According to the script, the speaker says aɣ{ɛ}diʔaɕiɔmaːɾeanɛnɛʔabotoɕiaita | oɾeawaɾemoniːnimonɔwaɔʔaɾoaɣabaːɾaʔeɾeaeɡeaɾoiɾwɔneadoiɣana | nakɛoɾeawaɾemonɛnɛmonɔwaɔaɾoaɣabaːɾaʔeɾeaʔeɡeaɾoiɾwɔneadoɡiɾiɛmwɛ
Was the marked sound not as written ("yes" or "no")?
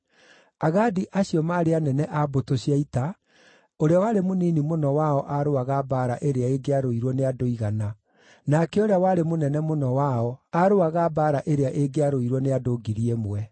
yes